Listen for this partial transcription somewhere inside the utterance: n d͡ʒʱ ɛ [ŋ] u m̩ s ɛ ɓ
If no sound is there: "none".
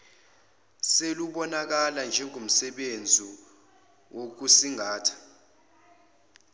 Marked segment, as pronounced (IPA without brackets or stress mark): ŋ